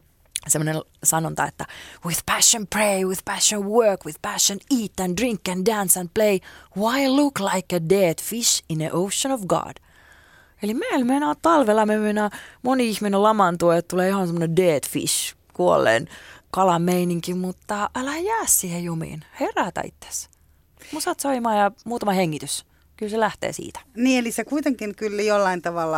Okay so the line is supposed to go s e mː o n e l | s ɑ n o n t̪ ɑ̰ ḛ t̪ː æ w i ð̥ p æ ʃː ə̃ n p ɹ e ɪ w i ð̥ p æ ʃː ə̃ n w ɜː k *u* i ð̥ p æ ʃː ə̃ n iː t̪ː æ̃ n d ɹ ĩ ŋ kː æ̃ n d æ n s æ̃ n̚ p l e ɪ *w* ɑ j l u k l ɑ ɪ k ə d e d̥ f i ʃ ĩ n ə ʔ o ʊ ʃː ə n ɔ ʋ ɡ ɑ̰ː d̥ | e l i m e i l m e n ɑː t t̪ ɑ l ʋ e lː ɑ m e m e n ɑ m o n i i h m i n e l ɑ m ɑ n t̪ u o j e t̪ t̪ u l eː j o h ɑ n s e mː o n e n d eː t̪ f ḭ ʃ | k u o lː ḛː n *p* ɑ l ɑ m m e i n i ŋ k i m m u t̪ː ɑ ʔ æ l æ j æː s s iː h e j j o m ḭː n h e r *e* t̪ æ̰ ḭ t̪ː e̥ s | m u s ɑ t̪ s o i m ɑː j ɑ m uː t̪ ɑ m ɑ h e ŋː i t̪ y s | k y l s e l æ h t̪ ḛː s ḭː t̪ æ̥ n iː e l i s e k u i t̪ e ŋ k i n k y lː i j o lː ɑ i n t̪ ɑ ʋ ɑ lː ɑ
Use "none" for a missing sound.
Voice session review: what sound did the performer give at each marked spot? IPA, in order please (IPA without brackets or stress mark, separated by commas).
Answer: w, w, k, æ